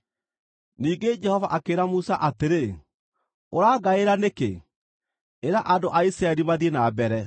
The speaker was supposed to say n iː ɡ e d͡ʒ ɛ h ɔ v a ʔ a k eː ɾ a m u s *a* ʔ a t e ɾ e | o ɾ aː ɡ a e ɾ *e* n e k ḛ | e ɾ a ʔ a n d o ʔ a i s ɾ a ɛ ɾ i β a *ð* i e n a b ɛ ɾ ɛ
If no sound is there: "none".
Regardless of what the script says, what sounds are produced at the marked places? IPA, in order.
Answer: a, a, ð

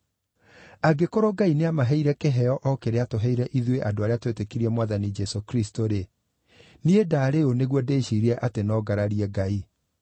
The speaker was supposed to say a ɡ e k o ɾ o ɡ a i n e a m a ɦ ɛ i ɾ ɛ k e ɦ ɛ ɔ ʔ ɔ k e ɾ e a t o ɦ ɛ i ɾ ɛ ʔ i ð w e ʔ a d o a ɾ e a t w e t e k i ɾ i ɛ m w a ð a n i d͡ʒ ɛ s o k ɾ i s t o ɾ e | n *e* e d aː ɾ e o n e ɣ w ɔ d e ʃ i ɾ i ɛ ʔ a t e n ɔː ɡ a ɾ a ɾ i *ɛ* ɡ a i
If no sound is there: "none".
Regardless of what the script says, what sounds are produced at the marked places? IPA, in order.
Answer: i, ɛ

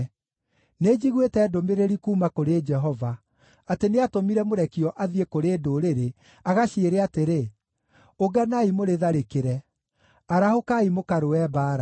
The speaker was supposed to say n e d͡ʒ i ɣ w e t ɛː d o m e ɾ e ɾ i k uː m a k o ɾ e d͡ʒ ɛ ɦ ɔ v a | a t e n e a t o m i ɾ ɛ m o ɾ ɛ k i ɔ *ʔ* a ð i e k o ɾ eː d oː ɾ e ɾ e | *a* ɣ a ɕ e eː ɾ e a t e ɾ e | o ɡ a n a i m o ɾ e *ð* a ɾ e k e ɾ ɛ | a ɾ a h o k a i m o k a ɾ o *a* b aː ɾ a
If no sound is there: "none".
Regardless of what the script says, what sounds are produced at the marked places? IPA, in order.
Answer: ʔ, a, ð, ɛ

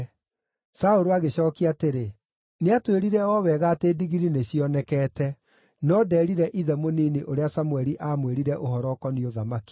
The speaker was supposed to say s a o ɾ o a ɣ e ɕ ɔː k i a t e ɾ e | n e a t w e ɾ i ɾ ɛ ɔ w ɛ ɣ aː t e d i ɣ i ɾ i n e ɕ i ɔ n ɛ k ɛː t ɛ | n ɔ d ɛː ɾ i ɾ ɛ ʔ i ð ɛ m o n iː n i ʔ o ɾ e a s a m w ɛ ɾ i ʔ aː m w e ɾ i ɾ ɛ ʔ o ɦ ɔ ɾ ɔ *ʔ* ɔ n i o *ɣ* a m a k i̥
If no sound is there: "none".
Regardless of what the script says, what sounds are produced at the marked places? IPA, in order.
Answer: k, ð

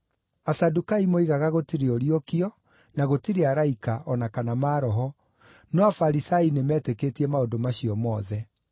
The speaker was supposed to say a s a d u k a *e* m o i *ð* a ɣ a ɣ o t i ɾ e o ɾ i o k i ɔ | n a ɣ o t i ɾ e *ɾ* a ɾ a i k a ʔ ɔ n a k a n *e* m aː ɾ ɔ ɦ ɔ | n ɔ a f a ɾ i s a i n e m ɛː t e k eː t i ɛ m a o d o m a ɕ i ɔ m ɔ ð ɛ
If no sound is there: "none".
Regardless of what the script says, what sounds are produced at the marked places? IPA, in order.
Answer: i, ɣ, none, a

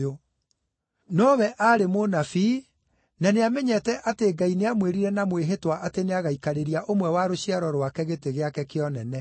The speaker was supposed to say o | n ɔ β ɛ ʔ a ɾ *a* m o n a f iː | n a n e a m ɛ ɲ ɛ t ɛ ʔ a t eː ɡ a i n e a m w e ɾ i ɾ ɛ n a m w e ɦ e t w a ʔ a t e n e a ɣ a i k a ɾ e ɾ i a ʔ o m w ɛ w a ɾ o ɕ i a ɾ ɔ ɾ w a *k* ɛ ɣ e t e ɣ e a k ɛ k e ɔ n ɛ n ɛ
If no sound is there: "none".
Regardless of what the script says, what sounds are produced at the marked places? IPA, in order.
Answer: e, k

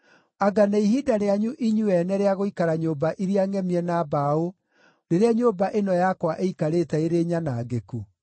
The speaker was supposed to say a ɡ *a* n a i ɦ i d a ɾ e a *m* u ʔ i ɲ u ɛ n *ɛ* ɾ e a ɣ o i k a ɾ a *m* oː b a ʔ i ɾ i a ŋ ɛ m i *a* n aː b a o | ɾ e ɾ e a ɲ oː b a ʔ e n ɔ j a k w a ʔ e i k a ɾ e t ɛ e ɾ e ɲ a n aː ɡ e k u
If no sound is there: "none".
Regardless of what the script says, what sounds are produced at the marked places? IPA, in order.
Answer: a, ɲ, ɛ, ɲ, ɛ

